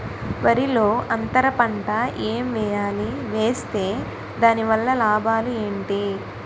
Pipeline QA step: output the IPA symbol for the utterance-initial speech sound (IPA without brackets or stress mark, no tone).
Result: ʋ